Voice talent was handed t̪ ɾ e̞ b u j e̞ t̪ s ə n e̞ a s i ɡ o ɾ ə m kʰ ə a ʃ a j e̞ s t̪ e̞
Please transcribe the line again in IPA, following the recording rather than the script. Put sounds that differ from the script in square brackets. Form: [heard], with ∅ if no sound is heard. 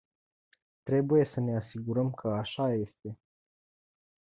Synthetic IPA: t̪ ɾ e̞ b u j e̞ [∅] s ə n e̞ a s i ɡ [u] ɾ ə m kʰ ə a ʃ a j e̞ s t̪ e̞